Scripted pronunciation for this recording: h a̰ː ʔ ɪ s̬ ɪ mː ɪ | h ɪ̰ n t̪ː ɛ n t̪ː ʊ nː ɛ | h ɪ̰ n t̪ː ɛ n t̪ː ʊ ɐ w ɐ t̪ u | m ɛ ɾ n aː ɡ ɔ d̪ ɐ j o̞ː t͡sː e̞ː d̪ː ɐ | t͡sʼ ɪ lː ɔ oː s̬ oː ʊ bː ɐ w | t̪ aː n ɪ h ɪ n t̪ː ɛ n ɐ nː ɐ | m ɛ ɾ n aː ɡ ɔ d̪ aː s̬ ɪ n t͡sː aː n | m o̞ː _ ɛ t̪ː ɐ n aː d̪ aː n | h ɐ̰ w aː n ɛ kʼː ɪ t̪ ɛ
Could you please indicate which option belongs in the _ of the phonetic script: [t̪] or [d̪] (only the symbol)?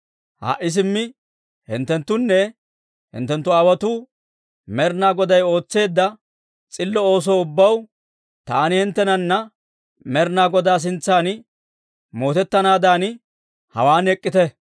t̪